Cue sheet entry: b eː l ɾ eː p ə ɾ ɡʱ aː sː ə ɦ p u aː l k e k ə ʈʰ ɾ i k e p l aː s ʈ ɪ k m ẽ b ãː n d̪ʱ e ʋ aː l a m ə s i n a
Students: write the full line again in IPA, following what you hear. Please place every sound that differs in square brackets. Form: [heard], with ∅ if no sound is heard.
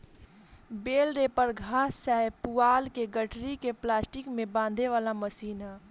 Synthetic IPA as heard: b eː l ɾ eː p ə ɾ ɡʱ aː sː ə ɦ p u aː l k e [ɡ] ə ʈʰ ɾ i k e p l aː s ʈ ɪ k m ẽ b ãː n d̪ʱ e ʋ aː l a m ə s [iː] n a